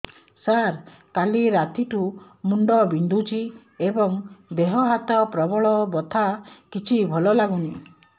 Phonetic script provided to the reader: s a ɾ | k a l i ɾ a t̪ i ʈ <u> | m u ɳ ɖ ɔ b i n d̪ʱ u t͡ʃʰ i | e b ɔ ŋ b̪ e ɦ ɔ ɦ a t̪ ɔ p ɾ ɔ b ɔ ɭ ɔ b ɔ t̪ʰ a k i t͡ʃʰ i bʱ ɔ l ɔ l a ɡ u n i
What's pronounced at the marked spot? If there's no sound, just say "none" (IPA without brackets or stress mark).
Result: u